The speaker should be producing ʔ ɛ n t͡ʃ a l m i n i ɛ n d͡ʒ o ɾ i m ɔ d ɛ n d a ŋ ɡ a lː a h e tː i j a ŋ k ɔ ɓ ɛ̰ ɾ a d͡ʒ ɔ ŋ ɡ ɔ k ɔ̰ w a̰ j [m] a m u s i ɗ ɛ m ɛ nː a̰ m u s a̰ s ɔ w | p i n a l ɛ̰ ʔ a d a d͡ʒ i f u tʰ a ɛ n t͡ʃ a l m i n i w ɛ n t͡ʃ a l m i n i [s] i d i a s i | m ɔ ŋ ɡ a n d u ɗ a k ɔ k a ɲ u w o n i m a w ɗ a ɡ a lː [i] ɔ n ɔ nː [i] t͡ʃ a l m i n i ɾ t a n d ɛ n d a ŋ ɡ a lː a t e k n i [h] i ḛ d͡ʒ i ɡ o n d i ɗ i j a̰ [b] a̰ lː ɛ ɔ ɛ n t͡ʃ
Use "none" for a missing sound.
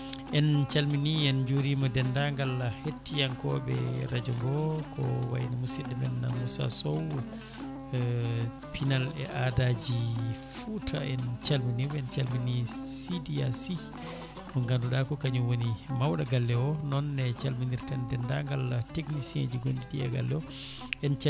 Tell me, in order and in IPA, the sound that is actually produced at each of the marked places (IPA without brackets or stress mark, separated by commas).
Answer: n, s, ɛ, ɛ, s, ɡ